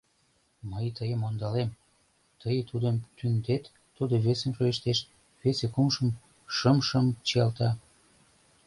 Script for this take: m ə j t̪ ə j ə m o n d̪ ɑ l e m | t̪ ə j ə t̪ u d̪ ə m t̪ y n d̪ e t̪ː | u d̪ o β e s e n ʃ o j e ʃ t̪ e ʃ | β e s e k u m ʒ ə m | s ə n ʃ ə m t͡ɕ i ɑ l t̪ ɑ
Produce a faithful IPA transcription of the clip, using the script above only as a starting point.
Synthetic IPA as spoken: m ə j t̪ ə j ə m o n d̪ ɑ l e m | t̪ ə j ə t̪ u d̪ ə m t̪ y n d̪ e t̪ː | u d̪ o β e s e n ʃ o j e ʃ t̪ e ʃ | β e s e k u m ʃ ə m | ʃ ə m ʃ ə m t͡ɕ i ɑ l t̪ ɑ